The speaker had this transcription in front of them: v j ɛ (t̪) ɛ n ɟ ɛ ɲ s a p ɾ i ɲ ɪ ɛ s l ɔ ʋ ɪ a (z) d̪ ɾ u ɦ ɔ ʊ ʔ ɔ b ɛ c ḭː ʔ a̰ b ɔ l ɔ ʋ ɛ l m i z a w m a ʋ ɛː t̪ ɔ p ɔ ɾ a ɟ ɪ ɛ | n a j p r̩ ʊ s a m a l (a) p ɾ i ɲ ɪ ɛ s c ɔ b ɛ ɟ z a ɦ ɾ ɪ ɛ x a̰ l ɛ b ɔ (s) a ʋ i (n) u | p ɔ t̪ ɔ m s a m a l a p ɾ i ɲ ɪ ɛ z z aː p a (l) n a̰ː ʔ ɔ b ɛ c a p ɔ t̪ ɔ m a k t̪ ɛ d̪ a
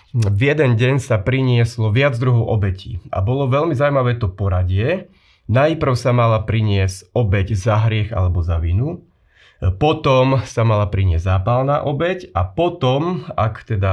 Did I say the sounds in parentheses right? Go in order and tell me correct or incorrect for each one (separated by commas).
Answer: incorrect, incorrect, correct, incorrect, correct, correct